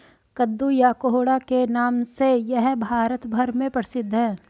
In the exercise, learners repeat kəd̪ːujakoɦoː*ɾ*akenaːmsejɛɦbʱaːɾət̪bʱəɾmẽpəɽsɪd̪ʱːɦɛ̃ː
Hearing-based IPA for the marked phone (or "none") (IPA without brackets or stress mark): ɽ